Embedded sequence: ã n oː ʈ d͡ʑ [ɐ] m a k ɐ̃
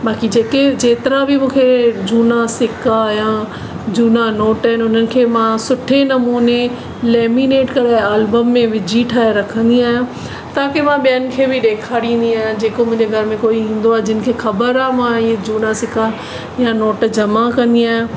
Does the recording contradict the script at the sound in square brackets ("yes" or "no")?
no